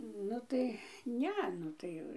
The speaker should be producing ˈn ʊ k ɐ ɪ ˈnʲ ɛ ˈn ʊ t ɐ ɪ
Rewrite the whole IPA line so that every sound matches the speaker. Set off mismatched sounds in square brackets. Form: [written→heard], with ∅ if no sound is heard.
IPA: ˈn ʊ [k→t] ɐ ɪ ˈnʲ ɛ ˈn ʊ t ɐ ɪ